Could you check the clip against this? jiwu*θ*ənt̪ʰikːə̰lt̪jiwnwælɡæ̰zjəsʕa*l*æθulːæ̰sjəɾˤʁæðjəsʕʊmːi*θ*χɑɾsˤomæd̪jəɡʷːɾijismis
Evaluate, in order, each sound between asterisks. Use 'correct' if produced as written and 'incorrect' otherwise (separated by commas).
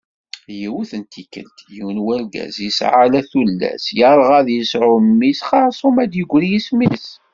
correct, correct, incorrect